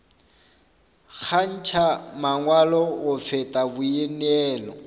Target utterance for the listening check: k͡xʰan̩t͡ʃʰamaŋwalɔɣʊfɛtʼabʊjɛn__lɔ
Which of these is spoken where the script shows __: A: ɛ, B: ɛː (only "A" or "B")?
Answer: B